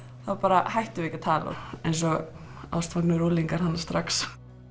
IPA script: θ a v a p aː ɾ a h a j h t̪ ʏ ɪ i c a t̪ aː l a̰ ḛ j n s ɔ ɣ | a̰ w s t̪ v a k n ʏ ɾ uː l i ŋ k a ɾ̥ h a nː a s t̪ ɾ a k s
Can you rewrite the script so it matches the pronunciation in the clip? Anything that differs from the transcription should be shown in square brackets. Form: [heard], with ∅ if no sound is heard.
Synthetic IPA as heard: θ a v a p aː ɾ a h a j h t̪ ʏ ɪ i c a [t̪ʰ] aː l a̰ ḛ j n s ɔ ɣ | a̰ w s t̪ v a k n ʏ ɾ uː l i ŋ k a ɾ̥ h a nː a s t̪ ɾ a k s